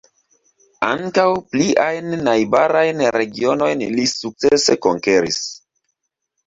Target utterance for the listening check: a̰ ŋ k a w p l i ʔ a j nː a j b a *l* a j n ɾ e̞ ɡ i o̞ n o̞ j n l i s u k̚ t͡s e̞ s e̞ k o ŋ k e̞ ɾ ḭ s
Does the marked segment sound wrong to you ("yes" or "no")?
yes